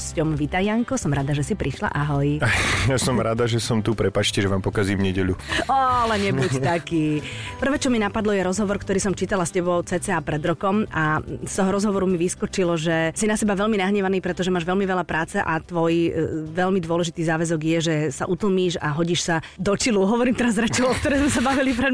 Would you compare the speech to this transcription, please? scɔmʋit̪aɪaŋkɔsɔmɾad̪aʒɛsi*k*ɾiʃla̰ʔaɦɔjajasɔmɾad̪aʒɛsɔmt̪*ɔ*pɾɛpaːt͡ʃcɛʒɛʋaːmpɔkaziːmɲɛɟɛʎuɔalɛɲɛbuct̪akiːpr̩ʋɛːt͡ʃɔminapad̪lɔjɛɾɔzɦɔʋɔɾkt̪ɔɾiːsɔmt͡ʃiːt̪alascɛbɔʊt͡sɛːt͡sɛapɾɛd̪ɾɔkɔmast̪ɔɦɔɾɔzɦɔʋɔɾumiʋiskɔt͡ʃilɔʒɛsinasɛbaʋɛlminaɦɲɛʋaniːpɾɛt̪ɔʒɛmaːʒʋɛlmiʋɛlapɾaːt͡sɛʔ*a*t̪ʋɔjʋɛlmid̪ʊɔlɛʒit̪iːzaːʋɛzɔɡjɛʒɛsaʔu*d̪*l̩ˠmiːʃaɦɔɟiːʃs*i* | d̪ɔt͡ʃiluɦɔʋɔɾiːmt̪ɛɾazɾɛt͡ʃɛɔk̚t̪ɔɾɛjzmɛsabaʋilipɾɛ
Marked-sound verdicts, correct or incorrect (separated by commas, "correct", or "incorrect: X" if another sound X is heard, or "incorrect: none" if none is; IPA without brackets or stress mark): incorrect: p, incorrect: u, correct, incorrect: t̪, incorrect: a